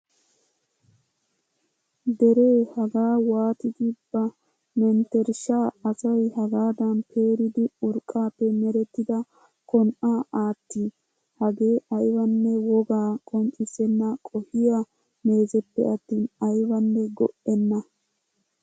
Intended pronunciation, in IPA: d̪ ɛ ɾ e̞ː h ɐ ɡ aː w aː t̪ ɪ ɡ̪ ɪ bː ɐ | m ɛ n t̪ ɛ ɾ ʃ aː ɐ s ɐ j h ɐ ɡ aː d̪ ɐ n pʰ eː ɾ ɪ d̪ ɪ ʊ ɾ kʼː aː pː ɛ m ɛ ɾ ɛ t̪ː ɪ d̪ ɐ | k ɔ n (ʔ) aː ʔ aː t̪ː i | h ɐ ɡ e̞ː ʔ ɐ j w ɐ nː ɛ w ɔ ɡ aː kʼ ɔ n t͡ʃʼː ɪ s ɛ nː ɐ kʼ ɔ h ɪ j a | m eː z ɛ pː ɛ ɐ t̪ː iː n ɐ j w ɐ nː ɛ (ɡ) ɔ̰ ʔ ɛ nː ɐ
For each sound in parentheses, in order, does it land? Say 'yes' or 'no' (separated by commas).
yes, yes